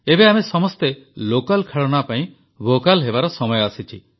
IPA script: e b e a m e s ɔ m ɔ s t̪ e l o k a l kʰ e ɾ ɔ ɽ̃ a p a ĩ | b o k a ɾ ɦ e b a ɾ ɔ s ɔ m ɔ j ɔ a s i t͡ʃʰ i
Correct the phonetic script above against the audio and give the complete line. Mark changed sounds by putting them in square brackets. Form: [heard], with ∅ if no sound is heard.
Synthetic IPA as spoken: e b e a m e s ɔ m ɔ s t̪ e l o k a l kʰ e [ɭ] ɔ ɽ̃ a p a ĩ | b o k a [l] ɦ e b a ɾ ɔ s ɔ m ɔ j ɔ a s i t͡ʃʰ i